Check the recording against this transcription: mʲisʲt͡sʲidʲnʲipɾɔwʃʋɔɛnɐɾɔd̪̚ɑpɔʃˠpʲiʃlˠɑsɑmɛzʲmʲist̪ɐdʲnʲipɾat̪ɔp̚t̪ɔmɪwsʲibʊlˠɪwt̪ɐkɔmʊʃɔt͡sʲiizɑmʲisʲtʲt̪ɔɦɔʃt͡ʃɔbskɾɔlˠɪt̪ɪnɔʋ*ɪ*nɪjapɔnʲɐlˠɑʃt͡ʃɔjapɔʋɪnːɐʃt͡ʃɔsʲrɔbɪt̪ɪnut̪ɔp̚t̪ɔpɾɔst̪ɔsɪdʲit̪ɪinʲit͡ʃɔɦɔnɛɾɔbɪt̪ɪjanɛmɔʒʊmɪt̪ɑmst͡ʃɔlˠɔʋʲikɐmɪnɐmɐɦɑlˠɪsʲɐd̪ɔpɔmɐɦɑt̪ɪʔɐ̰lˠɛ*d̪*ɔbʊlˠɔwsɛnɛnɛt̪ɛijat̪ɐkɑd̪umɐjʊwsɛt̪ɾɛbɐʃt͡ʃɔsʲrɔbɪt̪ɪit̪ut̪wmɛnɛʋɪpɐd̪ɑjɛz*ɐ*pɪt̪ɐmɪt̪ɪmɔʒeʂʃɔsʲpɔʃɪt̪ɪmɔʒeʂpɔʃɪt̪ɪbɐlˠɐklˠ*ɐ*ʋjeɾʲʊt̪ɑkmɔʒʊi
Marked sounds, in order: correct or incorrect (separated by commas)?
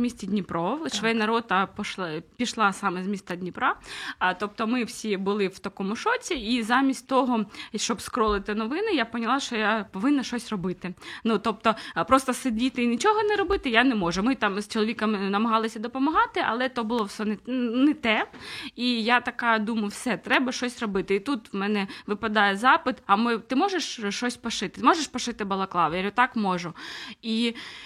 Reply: correct, incorrect, incorrect, incorrect